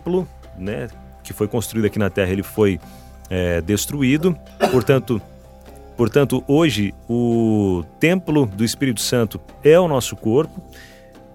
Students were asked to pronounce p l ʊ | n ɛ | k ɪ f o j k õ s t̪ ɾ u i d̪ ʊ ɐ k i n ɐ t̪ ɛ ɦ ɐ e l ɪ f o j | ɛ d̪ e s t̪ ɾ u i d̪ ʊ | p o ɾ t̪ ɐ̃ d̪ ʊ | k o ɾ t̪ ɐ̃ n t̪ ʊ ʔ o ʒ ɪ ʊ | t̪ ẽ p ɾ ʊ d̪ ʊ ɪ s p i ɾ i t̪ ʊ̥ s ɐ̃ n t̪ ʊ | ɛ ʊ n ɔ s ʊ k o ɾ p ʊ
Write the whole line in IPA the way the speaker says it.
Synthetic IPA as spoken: p l ʊ | n ɛ | k ɪ f o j k õ s t̪ ɾ u i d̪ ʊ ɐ k i n ɐ t̪ ɛ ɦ ɐ e l ɪ f o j | ɛ d̪ e s t̪ ɾ u i d̪ ʊ | p o ɾ t̪ ɐ̃ t̪ ʊ | p o ɾ t̪ ɐ̃ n t̪ ʊ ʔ o ʒ ɪ ʊ | t̪ ẽ p l ʊ d̪ ʊ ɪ s p i ɾ i t̪ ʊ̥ s ɐ̃ n t̪ ʊ | ɛ ʊ n ɔ s ʊ k o ɾ p ʊ